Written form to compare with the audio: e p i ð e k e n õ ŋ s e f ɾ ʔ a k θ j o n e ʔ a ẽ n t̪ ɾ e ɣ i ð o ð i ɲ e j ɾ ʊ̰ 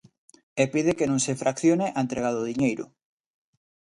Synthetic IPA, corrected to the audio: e p i ð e k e n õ ŋ s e f ɾ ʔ a k θ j o n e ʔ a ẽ n t̪ ɾ e ɣ a ð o ð i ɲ e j ɾ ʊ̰